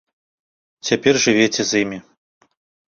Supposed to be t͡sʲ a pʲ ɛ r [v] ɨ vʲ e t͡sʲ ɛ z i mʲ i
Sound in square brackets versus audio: incorrect: ʐ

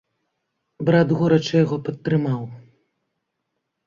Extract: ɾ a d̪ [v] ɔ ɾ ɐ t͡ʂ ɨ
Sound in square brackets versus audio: incorrect: ɣ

